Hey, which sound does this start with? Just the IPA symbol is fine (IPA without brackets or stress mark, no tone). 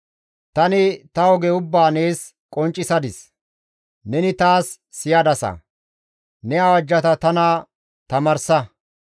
t̪